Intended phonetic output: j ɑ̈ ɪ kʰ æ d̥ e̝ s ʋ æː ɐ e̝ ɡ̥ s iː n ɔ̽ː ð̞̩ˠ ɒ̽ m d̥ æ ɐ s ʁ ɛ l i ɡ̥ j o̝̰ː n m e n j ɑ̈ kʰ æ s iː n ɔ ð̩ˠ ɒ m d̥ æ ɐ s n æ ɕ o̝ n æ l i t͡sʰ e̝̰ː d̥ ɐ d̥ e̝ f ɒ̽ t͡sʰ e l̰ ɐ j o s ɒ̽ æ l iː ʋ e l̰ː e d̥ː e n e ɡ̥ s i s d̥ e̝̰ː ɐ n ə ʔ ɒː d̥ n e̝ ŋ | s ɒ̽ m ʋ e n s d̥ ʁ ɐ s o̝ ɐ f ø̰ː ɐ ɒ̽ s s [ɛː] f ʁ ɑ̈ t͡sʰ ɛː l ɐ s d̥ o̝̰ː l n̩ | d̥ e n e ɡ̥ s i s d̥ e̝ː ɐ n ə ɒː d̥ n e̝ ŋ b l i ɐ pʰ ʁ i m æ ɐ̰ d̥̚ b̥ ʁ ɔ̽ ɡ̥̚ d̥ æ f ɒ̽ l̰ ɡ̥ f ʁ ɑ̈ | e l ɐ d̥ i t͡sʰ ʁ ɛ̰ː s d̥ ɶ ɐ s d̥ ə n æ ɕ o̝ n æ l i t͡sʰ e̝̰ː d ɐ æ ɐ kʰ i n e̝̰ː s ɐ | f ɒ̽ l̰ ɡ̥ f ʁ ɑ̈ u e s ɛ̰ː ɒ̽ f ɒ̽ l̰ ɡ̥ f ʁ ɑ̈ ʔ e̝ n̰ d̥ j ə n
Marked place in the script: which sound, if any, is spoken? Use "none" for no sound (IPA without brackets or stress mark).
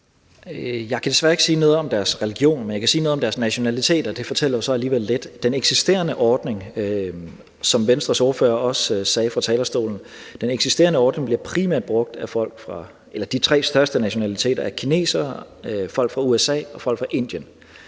ɛː